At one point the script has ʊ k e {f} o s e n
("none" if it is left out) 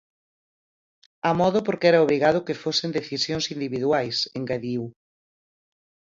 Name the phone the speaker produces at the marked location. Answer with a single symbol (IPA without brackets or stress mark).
f